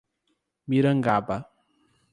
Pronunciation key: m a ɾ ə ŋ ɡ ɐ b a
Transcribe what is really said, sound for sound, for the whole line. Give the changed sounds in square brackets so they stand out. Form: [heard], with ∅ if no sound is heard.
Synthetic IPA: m [i] ɾ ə ŋ ɡ [a] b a